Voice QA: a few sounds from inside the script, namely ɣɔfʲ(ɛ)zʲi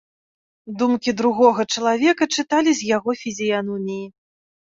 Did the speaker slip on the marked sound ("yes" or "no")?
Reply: yes